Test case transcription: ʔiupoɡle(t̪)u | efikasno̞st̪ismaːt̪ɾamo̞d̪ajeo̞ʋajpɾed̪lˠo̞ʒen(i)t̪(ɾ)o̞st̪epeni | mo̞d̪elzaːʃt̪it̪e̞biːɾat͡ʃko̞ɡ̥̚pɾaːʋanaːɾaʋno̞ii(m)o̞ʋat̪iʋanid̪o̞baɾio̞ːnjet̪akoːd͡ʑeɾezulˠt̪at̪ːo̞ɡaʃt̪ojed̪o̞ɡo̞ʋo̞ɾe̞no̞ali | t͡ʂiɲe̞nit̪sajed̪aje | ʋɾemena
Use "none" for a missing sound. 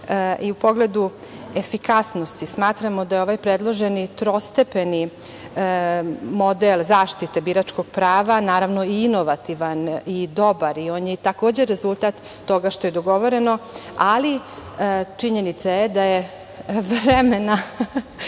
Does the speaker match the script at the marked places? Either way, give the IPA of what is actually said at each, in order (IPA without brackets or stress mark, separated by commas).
d̪, i, ɾ, n